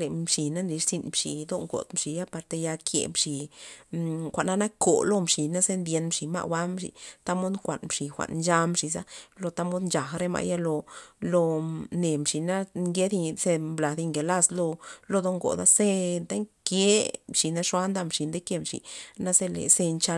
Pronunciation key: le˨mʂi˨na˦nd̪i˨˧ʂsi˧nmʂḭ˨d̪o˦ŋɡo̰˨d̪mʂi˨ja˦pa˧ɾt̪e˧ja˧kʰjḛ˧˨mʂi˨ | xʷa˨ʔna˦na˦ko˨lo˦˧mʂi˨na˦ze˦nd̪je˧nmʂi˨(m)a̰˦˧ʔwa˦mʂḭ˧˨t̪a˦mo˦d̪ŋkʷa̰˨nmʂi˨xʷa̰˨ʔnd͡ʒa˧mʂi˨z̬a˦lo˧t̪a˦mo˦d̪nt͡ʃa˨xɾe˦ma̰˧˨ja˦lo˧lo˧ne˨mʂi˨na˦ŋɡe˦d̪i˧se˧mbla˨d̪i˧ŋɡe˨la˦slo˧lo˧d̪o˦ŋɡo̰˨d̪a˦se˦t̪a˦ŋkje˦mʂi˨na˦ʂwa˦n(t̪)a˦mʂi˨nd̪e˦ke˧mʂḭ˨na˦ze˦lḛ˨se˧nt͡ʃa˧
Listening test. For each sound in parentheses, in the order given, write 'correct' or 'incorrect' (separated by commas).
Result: correct, incorrect